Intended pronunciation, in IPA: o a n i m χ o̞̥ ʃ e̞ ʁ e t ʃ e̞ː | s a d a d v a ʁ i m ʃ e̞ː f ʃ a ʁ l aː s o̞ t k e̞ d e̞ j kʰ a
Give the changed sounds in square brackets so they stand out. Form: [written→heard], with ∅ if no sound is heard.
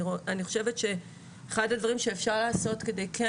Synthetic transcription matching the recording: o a n i [m→∅] χ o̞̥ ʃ e̞ [ʁ→v] e t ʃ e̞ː | [s→χ] a d a d v a ʁ i m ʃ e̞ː f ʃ a ʁ l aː s o̞ t k e̞ d e̞ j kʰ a